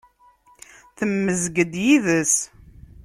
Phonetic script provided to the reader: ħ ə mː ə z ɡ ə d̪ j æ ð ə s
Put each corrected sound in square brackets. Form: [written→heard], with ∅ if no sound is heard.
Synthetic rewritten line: [ħ→θ] ə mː ə z ɡ ə d̪ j [æ→i] ð ə s